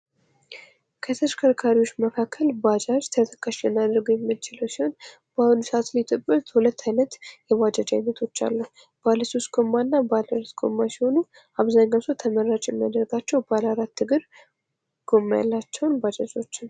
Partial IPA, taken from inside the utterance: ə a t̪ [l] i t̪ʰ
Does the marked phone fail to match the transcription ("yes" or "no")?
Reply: no